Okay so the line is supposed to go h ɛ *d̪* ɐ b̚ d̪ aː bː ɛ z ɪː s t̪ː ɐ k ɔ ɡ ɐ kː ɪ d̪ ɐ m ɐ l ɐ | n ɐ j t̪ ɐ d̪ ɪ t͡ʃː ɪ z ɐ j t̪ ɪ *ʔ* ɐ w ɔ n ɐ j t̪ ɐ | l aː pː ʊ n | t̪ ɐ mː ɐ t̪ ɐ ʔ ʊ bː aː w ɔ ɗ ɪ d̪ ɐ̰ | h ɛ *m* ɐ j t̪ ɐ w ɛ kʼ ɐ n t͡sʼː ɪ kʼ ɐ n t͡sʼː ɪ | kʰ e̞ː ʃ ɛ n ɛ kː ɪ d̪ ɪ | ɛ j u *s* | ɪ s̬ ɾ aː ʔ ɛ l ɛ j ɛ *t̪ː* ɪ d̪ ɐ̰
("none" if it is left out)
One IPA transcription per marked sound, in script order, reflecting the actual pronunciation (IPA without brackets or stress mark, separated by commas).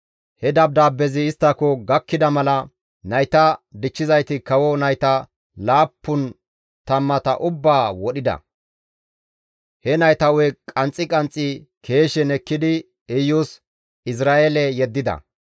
d̪, k, n, s, d̪ː